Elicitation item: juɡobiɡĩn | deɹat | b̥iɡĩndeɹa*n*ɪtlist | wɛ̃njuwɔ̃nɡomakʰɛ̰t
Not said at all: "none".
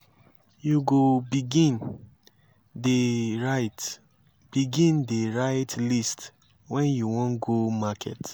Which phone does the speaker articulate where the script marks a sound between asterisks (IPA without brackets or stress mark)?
none